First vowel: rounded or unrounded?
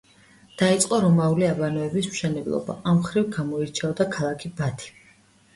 unrounded